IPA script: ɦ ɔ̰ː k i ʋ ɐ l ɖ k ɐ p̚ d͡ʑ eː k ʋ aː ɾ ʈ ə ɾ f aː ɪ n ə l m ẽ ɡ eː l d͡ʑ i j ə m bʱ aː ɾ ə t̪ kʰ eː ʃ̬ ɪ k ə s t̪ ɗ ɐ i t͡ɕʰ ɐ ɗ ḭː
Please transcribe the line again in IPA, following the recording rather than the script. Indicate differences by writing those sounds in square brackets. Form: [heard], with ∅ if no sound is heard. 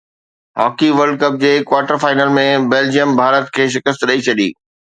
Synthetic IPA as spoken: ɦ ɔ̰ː k i ʋ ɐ [ɾ] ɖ k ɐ p̚ d͡ʑ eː k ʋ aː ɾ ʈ ə ɾ f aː ɪ n ə l m ẽ [b] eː l d͡ʑ i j ə m bʱ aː ɾ ə t̪ kʰ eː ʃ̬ ɪ k ə s t̪ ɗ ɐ i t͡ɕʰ ɐ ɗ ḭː